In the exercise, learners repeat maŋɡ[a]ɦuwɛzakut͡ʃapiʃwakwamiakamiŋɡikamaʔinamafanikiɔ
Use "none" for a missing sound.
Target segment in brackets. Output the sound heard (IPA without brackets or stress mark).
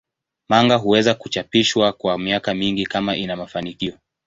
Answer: a